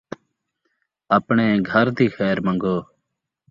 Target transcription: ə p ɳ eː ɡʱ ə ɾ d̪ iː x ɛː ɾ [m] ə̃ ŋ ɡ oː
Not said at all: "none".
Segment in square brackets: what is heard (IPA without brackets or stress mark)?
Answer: m